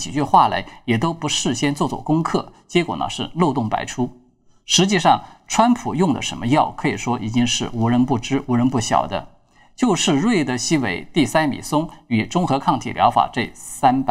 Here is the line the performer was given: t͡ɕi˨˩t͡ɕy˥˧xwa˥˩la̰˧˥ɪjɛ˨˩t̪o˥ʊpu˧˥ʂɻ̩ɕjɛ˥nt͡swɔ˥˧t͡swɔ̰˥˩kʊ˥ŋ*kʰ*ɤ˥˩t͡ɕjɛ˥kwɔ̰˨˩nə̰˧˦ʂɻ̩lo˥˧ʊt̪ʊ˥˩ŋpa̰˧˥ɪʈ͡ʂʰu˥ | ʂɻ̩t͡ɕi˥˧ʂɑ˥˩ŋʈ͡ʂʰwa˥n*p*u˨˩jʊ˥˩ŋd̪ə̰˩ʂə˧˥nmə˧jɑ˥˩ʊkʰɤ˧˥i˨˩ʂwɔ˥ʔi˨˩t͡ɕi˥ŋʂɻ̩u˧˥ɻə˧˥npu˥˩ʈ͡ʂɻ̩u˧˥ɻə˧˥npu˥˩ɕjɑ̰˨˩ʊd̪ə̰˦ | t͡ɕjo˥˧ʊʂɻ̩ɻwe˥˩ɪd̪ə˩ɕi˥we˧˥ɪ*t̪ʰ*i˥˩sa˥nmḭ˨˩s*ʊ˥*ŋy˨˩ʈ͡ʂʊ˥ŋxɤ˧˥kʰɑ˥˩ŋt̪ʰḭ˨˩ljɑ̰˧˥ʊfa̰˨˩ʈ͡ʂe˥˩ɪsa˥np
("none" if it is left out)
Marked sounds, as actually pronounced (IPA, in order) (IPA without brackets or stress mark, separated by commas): kʰ, pʰ, t̪, ʊ˥